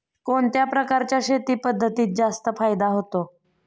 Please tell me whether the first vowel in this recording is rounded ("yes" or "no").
yes